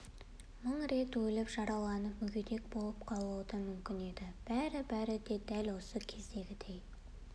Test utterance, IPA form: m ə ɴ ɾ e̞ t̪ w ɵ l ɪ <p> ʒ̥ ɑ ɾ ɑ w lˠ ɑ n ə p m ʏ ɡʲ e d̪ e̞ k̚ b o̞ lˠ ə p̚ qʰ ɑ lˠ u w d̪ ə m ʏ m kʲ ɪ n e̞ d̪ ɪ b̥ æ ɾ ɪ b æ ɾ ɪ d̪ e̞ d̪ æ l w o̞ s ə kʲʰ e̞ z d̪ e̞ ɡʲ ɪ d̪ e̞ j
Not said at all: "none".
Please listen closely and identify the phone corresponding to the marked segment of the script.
p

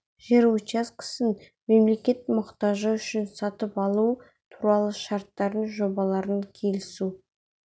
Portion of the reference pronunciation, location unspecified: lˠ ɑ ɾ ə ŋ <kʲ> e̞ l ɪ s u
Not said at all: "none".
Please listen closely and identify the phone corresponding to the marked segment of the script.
kʲʰ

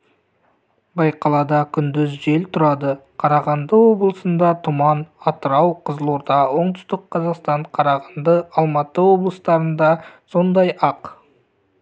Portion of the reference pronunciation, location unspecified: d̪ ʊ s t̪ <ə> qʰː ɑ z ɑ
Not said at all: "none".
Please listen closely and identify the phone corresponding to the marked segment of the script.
ə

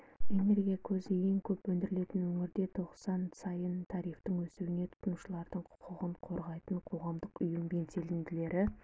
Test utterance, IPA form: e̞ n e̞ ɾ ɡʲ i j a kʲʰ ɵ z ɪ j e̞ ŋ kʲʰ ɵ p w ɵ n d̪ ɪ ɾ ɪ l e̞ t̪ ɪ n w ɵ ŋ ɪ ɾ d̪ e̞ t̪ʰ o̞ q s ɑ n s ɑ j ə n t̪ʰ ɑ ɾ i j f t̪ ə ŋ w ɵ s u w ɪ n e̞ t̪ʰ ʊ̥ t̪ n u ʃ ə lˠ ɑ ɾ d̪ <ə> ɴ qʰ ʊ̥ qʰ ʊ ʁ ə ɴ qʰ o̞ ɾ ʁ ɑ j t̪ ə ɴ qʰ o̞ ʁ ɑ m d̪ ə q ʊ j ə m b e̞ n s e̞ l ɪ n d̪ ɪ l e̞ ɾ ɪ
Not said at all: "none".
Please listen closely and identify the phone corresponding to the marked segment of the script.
ə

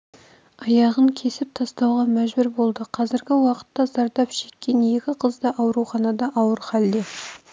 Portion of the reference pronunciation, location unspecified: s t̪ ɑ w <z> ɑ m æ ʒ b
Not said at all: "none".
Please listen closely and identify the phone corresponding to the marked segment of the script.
ʁ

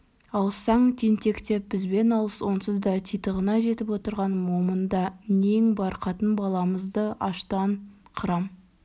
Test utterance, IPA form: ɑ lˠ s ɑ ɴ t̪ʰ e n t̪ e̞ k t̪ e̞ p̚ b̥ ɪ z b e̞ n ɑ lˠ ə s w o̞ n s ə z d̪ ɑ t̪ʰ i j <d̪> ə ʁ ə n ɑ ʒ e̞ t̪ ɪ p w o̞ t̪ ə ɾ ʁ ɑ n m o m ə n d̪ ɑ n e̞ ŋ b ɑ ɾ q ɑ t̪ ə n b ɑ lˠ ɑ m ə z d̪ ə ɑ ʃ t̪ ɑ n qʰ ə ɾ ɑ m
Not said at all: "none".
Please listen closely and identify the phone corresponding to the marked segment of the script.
t̪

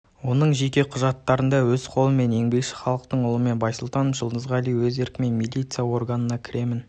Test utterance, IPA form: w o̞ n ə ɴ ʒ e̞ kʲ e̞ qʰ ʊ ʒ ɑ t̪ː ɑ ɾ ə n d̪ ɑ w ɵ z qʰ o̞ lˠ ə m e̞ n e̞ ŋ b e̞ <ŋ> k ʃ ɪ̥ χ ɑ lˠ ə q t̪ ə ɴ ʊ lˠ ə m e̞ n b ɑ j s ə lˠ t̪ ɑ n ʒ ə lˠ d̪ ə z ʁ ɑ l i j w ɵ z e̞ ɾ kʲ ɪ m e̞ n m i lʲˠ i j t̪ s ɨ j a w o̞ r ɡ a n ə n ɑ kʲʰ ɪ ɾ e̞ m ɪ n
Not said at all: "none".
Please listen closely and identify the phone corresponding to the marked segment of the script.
none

